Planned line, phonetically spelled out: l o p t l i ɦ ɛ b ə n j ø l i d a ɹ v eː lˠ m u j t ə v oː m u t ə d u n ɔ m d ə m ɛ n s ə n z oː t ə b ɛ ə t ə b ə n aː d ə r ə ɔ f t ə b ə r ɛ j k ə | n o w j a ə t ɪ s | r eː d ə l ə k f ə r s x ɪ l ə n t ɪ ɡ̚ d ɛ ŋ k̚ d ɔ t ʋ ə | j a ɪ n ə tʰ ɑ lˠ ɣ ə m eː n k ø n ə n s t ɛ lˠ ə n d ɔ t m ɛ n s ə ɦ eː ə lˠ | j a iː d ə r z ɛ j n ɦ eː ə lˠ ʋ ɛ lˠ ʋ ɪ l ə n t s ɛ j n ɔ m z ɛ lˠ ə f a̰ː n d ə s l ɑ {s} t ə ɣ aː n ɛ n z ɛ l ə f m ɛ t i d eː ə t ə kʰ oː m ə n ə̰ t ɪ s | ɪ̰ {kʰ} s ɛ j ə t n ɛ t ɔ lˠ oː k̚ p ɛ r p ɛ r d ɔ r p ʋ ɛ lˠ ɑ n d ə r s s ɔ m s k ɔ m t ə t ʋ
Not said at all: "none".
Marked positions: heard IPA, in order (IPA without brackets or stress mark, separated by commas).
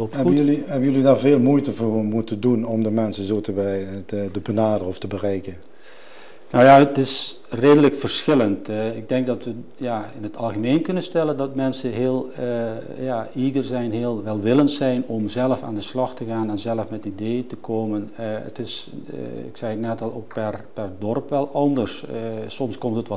x, k